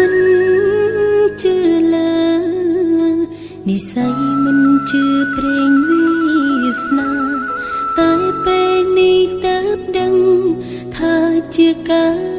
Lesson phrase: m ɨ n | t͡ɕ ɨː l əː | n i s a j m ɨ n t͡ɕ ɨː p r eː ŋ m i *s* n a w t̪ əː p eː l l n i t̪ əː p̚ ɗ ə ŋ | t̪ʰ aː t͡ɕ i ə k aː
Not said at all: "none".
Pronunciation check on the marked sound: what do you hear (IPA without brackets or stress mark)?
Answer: s